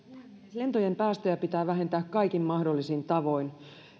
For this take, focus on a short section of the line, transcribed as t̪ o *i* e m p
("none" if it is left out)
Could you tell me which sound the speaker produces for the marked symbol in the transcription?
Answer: j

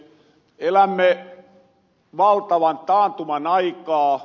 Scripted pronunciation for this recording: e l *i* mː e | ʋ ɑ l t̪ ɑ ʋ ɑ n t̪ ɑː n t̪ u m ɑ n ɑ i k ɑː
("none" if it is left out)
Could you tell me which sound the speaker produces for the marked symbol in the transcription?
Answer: æ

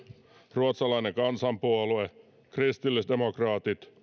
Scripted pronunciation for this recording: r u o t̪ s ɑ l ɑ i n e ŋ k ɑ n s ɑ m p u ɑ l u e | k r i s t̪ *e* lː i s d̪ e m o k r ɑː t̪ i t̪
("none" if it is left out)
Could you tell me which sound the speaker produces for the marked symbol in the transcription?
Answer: i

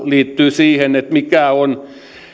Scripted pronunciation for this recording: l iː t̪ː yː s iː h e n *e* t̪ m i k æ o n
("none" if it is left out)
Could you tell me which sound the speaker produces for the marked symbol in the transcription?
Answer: e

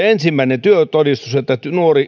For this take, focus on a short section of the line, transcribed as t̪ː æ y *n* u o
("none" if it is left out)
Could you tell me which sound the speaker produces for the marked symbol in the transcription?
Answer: n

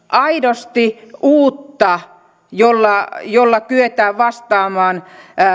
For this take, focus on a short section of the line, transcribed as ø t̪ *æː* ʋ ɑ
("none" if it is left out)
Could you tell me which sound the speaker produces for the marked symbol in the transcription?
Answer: æː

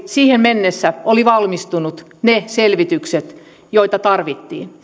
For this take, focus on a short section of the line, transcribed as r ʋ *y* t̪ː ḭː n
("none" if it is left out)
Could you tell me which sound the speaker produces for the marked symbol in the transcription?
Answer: i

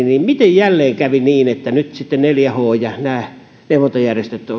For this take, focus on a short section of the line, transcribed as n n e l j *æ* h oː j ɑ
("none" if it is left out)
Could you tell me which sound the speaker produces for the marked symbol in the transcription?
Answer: æ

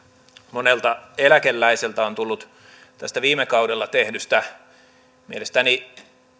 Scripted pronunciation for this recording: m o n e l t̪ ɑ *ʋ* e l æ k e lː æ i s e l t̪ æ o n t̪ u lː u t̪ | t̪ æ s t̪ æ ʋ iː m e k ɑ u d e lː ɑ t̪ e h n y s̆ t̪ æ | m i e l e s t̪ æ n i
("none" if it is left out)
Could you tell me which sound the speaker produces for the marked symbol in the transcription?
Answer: none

